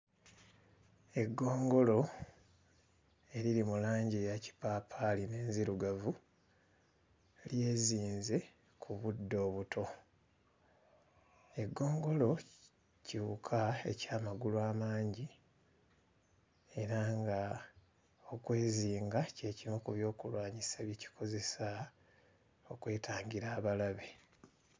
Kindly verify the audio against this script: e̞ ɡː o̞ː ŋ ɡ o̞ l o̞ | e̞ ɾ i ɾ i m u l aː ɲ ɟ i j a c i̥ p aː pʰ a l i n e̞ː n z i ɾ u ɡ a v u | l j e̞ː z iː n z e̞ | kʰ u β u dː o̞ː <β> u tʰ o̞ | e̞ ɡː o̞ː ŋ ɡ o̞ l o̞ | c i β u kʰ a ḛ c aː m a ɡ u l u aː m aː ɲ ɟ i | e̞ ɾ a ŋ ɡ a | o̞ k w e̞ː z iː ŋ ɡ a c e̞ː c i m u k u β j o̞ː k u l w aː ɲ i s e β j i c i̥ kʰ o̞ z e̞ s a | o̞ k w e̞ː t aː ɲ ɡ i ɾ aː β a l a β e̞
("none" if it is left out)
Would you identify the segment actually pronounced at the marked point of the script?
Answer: β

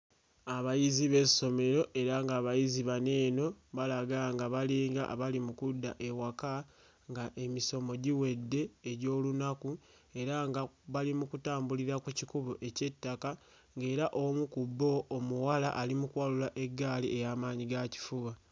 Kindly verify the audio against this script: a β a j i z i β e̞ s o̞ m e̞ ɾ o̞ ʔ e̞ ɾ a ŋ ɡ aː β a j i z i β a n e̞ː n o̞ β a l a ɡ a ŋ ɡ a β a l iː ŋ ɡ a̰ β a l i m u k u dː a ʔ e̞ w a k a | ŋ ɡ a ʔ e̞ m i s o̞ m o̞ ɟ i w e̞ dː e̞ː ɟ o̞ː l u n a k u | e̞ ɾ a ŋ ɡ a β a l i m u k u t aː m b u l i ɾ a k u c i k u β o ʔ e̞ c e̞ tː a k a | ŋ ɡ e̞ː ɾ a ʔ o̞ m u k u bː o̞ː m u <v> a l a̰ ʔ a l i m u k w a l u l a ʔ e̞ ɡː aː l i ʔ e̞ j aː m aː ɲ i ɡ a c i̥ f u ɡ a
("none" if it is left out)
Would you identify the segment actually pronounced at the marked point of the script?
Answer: w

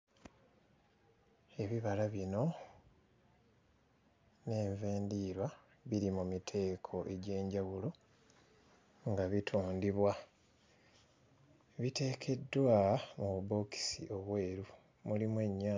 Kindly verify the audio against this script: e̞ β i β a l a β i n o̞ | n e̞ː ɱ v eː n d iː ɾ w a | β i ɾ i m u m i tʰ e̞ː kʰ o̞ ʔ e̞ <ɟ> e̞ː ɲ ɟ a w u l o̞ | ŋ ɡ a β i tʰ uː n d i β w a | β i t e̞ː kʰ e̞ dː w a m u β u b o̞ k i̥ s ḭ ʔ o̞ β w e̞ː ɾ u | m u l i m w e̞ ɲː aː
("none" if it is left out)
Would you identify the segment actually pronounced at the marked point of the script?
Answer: ɟ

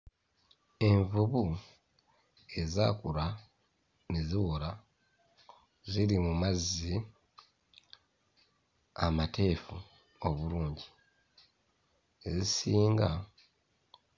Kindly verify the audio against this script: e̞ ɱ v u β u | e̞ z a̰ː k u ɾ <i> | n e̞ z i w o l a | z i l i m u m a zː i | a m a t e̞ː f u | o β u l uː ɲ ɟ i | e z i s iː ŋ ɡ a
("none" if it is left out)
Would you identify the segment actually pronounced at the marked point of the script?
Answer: a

